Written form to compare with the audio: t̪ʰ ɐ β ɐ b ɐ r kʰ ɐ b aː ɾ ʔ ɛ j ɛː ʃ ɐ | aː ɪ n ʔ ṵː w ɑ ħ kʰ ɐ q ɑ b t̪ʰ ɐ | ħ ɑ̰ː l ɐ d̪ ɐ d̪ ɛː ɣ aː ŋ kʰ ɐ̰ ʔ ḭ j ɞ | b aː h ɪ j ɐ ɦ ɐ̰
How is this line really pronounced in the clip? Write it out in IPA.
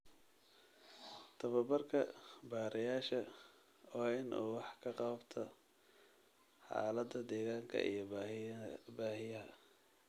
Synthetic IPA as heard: t̪ʰ ɐ β ɐ b ɐ r kʰ ɐ b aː ɾ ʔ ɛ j aː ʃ ɐ | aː ɪ n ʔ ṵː w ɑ ħ kʰ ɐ q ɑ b t̪ʰ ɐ | ħ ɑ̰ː l ɐ d̪ ɐ d̪ ɛː ɣ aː ŋ kʰ ɐ̰ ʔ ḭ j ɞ | b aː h ɪ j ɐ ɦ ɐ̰